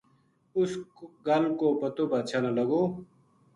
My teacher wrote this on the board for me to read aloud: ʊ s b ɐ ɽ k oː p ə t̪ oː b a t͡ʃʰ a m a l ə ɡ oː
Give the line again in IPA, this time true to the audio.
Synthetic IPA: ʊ s ɡ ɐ l k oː p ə t̪ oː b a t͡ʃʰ a n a l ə ɡ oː